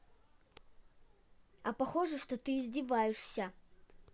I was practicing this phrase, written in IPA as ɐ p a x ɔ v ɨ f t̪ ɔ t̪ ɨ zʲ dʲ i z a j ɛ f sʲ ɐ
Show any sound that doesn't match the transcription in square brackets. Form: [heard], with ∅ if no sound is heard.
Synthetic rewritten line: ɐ p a x ɔ [ʐ] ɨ [ʂ] t̪ ɔ t̪ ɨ zʲ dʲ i [v] a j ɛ [ʂ] sʲ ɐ